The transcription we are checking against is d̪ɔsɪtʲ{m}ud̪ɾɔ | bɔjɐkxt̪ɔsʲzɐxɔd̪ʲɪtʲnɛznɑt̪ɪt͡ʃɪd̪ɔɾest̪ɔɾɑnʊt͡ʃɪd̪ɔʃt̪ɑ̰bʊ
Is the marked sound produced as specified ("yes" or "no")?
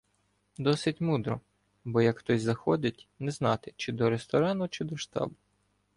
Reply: yes